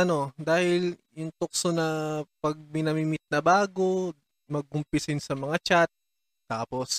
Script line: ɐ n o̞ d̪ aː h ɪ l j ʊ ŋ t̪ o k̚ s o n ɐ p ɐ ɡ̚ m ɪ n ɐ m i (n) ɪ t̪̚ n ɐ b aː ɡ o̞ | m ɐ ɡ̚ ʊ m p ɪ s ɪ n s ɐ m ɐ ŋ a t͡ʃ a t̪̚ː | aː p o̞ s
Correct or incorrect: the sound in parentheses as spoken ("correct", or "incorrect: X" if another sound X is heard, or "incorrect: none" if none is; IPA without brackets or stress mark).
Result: incorrect: m